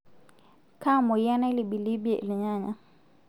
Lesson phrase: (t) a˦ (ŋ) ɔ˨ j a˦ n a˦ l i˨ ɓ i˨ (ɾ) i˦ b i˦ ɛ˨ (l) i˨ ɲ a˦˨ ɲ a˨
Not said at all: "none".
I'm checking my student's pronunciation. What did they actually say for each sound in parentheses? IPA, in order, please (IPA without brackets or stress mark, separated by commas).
k, m, l, l